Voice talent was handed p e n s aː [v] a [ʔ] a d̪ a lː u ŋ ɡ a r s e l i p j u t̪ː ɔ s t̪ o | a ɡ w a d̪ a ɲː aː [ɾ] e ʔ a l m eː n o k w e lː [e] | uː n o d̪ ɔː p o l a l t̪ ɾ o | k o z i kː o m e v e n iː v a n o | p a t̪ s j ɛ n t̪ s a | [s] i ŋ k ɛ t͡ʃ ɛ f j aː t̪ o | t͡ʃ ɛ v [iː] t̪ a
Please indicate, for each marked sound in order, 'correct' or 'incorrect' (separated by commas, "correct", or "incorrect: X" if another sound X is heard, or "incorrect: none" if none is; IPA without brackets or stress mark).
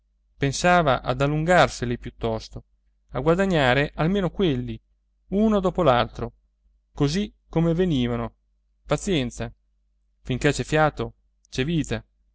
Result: correct, correct, correct, incorrect: i, incorrect: f, correct